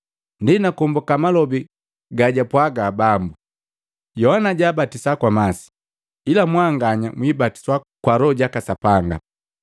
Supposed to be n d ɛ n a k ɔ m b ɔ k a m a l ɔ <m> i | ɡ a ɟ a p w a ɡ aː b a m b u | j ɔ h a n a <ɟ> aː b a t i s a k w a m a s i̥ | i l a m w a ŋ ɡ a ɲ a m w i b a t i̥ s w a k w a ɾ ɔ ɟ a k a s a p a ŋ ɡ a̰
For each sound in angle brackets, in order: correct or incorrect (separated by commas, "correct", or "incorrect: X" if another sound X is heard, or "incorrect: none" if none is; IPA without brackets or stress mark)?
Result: incorrect: b, correct